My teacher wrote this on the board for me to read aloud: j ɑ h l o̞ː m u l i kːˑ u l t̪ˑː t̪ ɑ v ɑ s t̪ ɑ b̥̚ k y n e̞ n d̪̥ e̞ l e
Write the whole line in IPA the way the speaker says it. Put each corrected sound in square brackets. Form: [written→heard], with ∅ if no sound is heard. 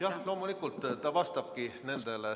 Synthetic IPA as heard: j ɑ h l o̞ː m u l i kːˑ u l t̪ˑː t̪ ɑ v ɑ s t̪ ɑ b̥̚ k [y→i] n e̞ n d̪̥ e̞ l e